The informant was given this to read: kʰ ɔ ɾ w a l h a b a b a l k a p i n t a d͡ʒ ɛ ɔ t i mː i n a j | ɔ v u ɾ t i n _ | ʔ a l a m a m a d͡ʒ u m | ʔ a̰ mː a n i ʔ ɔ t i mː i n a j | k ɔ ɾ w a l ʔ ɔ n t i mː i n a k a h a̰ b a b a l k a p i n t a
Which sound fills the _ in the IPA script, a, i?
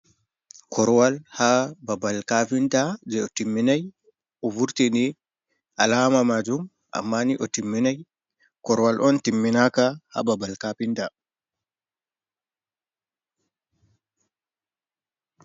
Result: i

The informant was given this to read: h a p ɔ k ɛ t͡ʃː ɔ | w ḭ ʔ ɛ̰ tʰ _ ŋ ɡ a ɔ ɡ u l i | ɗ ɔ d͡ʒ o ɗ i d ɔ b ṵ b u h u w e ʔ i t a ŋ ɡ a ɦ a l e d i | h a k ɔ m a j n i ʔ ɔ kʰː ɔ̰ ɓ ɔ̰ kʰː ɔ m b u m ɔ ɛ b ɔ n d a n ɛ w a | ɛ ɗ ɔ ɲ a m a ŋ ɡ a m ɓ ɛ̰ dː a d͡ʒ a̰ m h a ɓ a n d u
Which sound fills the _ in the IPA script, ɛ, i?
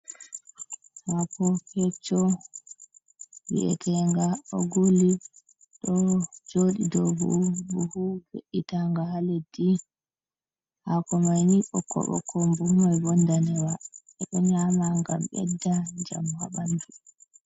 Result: ɛ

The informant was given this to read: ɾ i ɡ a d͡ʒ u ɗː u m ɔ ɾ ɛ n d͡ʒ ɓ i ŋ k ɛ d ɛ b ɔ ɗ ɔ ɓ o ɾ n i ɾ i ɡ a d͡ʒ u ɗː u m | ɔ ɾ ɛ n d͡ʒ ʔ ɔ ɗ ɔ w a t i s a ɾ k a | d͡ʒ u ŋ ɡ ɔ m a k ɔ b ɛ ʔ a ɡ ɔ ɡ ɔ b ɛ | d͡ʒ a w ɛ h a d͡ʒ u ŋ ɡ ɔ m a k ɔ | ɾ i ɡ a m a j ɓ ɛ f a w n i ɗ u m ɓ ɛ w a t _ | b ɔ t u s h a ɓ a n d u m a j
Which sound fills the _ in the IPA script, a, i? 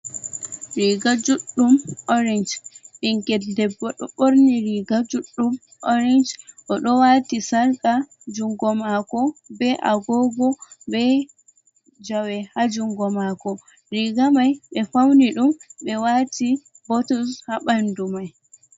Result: i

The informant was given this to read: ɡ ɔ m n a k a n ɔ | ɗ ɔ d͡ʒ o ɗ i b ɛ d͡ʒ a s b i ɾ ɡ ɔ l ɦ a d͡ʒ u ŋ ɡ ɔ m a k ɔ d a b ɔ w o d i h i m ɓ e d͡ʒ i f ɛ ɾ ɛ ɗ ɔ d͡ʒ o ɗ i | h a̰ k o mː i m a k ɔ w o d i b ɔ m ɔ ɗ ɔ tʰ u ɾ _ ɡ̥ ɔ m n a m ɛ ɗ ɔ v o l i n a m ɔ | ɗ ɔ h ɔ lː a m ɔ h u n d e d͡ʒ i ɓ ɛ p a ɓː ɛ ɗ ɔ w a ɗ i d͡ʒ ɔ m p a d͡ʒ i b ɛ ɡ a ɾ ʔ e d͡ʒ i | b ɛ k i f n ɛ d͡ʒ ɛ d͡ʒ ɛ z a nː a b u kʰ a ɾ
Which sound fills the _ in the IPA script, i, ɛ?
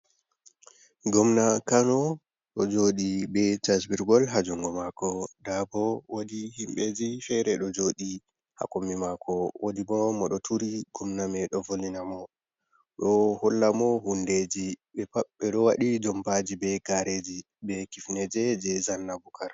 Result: i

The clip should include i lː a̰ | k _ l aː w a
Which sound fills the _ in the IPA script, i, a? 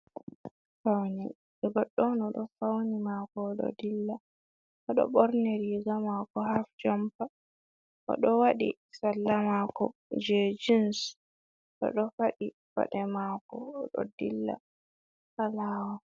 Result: a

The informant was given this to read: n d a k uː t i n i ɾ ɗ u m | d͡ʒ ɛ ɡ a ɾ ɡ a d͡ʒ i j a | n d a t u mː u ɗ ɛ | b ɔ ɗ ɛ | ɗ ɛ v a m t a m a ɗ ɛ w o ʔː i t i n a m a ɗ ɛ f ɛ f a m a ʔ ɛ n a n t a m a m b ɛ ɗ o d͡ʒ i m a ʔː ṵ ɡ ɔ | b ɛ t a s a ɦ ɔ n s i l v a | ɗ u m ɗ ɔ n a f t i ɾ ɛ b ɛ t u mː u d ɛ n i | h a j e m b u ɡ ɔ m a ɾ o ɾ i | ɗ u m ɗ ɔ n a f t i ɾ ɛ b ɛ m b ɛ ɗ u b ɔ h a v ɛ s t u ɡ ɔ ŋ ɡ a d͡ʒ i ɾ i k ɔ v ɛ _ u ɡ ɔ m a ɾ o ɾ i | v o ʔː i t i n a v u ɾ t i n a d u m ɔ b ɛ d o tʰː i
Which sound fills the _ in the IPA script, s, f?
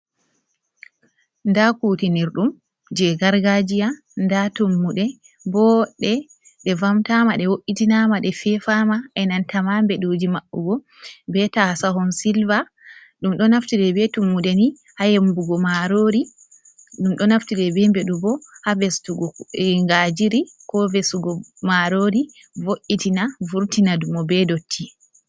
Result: s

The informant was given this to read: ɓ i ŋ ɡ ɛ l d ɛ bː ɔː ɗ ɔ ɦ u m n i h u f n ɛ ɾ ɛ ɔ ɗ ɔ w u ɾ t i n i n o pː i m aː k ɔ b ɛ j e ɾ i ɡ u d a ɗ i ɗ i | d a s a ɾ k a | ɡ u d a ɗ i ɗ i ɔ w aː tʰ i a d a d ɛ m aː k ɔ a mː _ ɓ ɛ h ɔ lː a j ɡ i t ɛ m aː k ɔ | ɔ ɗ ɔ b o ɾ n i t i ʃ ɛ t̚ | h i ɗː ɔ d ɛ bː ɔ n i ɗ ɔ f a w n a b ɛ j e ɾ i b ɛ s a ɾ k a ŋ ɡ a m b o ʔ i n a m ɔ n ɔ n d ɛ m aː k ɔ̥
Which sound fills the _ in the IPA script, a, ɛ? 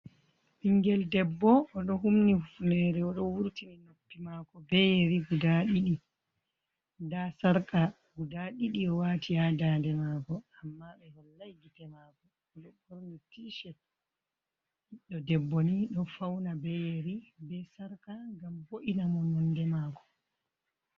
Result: a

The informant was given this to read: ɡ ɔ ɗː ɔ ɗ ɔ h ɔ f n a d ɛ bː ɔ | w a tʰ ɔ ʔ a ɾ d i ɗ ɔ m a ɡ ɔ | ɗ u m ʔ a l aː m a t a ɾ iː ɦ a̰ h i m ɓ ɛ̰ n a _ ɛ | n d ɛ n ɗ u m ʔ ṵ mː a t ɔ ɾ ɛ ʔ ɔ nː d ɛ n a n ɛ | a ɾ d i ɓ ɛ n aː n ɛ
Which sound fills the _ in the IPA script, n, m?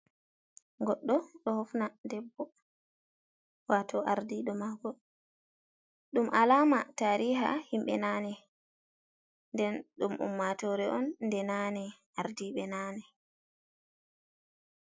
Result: n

